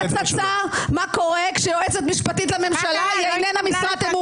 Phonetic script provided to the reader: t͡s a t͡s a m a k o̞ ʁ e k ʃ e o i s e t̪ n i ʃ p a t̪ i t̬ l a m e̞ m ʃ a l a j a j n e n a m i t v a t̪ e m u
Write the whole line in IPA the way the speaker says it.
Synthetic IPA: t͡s a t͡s a m a k o̞ ʁ e k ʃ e o e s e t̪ m i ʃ p a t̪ i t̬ l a m e̞ m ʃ a l a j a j n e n a m i s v a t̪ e m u